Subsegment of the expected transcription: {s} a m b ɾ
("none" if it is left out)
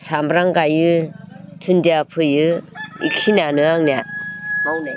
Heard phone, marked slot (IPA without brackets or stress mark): s